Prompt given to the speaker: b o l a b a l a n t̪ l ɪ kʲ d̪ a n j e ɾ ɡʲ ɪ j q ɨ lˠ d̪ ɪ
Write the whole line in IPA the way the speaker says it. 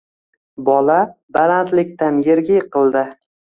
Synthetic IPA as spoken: b ɒ l a b a l a n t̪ l ɪ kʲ t̪ a n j e ɾ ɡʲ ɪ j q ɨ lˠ d̪ ɪ

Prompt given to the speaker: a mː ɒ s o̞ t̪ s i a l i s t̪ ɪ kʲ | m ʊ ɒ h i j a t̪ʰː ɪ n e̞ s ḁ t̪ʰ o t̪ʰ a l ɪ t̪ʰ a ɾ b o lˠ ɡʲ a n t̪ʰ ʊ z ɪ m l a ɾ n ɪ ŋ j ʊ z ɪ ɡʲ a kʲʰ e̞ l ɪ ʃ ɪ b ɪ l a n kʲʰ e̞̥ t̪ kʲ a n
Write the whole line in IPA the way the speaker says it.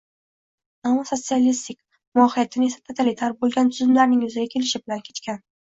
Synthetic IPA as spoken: a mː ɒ s o̞ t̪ s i a l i s t̪ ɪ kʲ | m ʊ ɒ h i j a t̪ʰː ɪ n e̞ s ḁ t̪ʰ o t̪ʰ a l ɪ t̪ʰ a ɾ b o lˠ ɡʲ a n t̪ʰ ʊ z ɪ m l a ɾ n ɪ ŋ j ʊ z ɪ ɡʲ a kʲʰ e̞ l ɪ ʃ ɪ b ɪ l a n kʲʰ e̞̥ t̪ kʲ a n

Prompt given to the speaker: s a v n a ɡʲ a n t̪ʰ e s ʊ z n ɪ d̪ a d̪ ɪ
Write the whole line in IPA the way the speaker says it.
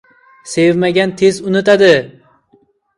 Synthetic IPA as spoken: s e v m a ɡʲ a n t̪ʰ e z ʊ n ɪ t̪ a d̪ ɪ

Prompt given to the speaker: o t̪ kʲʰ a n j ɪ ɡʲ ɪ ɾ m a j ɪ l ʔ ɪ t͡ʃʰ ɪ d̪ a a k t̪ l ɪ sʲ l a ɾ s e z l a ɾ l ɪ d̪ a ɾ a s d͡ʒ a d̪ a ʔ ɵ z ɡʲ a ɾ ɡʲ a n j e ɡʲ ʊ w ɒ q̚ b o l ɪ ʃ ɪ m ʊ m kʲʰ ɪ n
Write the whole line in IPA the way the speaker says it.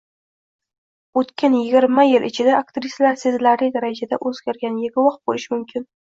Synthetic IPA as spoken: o t̪ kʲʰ a n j ɪ ɡʲ ɪ ɾ m a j ɪ l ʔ ɪ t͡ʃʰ ɪ d̪ a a k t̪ ɾ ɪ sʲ l a ɾ s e z l a ɾ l ɪ d̪ a ɾ a d͡ʒ a d̪ a ʔ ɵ z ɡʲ a ɾ ɡʲ a n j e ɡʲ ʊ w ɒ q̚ b o l ɪ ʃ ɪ m ʊ m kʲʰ ɪ n

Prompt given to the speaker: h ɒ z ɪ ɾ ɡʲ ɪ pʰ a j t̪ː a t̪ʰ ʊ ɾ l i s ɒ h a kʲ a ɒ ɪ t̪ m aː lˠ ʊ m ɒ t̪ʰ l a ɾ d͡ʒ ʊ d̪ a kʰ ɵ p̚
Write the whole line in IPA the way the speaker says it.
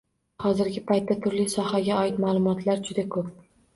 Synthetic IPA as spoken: h ɒ z ɪ ɾ ɡʲ ɪ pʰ a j t̪ː a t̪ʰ ʊ ɾ l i s ɒ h a ɡʲ a ɒ ɪ t̪ m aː lˠ ʊ m ɒ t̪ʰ l a ɾ d͡ʒ ʊ d̪ a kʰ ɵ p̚

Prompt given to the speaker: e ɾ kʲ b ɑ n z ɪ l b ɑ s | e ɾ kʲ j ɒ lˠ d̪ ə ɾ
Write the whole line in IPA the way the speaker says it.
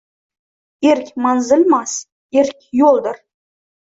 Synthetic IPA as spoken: e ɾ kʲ m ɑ n z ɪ l m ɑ s | e ɾ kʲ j o lˠ d̪ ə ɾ

